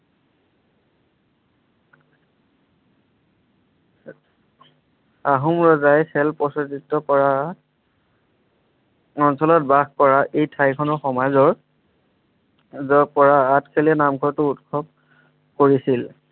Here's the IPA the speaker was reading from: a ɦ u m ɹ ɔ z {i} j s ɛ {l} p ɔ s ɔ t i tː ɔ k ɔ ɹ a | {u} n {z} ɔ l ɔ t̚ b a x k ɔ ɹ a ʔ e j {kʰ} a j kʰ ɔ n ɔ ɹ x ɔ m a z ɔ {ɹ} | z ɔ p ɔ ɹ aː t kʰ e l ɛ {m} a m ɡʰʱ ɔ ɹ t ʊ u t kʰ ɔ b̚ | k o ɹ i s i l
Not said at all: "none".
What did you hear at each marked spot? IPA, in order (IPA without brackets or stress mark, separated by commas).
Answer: a, l, ɔ, s, tʰ, ɹ, n